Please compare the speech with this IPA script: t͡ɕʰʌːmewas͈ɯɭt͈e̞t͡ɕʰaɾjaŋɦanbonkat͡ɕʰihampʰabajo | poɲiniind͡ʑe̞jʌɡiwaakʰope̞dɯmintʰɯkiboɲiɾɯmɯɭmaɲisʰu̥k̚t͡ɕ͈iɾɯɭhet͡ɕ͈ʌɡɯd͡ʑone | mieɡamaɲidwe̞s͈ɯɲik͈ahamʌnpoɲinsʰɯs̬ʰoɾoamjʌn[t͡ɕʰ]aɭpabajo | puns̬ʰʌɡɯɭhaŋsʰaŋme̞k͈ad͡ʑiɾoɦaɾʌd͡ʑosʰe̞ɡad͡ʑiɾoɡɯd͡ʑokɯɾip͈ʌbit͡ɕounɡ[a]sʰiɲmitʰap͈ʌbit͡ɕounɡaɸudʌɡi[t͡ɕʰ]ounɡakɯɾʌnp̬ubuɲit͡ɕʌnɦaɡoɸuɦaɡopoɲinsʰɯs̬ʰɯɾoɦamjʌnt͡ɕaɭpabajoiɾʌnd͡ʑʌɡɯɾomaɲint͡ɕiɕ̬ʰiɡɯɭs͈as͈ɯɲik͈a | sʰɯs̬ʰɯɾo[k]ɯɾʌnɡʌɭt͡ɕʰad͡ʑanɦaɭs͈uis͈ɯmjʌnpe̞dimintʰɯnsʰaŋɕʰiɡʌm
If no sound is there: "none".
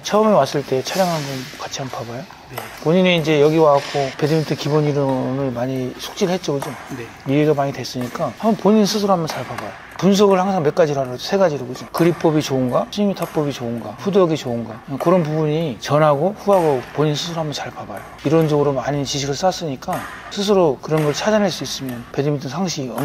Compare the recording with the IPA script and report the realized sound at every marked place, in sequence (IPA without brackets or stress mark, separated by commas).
t͡ɕ, a, t͡ɕ, k